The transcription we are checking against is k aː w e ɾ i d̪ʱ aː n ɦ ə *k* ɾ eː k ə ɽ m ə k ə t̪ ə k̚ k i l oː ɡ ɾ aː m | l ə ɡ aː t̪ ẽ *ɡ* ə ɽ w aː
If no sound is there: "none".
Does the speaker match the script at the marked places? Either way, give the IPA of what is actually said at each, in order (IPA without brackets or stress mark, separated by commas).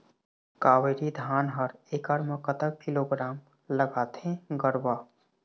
none, ɡ